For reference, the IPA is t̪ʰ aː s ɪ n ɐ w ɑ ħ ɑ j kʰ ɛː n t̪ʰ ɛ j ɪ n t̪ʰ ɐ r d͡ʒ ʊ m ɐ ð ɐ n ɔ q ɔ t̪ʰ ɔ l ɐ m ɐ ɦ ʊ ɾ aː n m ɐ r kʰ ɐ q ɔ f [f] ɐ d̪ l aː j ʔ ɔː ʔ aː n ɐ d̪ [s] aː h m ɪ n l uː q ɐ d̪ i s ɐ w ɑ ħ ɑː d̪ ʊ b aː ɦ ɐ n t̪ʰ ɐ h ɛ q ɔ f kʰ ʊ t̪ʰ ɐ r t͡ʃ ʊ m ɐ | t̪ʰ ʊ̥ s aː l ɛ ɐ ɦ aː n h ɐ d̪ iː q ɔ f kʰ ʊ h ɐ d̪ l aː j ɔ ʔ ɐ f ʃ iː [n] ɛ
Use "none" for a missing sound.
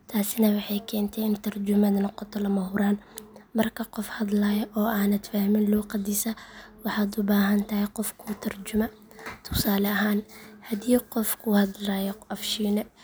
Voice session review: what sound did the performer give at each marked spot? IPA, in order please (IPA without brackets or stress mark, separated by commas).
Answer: h, f, n